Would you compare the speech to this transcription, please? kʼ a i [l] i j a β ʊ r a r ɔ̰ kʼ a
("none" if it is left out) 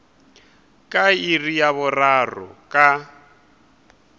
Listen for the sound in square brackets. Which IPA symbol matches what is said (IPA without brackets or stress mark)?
r